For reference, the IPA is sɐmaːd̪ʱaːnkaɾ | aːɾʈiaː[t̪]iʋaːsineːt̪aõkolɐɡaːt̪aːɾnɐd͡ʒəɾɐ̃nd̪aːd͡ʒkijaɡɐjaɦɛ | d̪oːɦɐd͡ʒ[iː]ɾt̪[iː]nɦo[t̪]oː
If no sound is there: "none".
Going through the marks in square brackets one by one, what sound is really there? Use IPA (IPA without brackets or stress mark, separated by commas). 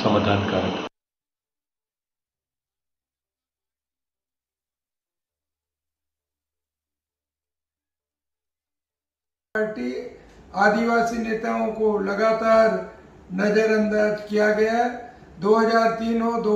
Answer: d̪, aː, iː, d̪